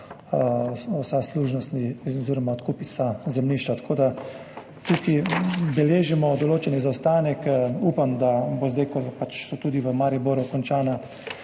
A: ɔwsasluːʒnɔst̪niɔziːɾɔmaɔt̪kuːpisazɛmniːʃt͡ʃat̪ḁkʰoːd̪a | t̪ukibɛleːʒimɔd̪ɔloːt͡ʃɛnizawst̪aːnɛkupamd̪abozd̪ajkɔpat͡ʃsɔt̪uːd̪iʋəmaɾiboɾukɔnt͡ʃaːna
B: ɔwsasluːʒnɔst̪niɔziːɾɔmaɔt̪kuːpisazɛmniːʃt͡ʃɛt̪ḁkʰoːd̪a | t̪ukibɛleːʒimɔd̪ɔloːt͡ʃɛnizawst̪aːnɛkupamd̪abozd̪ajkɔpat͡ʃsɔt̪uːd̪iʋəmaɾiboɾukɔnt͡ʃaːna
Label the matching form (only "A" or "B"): A